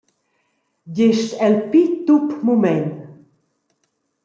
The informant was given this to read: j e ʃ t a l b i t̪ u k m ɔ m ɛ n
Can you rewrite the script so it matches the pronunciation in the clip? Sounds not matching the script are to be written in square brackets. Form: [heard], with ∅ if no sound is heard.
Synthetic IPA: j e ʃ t [ɛ] l [p] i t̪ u [p] m [u] m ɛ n